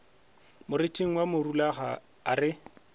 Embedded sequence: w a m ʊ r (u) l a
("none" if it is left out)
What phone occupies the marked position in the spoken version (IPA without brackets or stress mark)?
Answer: u